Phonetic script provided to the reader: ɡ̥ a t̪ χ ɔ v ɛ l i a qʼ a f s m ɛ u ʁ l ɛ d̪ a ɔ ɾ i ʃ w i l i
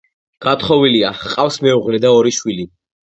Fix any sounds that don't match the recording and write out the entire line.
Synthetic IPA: ɡ̥ a t̪ χ ɔ v i l i a qʼ a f s m ɛ u ʁ l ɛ d̪ a ɔ ɾ i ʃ w i l i